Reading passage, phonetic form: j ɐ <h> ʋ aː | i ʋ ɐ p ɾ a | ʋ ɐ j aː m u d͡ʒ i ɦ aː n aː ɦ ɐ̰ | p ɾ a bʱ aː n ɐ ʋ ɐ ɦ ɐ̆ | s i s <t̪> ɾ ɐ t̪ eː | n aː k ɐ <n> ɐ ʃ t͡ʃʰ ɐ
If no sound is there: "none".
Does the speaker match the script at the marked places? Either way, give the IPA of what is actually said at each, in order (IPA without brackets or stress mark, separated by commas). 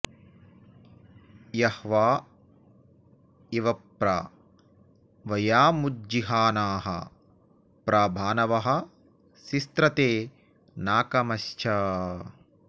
h, t̪, m